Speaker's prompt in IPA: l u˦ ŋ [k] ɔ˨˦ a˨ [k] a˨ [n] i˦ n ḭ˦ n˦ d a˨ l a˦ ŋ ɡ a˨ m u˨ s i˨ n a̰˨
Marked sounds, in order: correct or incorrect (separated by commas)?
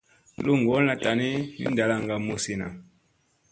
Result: incorrect, incorrect, correct